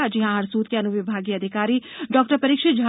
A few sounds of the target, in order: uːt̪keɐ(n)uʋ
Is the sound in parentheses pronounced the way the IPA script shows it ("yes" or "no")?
yes